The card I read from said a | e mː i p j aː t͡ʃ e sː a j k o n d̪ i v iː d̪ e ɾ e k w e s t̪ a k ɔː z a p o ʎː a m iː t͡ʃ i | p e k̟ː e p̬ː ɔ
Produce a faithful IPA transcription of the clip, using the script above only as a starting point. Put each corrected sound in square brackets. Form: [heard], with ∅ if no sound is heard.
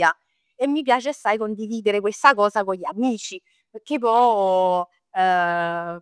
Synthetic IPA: a | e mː i p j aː t͡ʃ e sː a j k o n d̪ i v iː d̪ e ɾ e k w e s t̪ a k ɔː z a [k] o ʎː a m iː t͡ʃ i | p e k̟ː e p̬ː ɔ